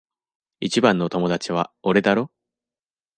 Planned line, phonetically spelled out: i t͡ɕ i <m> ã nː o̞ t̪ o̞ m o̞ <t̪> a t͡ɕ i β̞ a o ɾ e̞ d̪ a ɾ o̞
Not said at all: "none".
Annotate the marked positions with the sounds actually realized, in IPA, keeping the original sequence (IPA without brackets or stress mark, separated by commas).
b, d̪